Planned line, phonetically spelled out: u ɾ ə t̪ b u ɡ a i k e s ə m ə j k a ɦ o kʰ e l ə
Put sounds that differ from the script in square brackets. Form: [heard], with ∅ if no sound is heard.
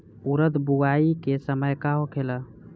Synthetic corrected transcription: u ɾ ə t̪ b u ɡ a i k e s ə m ə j k a ɦ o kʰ e l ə